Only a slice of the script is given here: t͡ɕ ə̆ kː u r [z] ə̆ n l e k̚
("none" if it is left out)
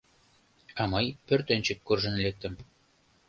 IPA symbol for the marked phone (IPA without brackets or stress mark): ʒ